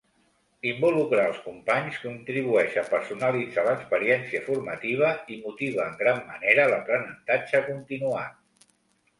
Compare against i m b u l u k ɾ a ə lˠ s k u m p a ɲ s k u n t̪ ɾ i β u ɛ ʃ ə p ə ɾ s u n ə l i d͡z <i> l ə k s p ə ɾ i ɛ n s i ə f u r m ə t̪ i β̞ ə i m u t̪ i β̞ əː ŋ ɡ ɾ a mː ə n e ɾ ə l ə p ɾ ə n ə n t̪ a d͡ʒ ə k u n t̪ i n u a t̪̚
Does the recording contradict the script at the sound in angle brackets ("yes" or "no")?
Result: yes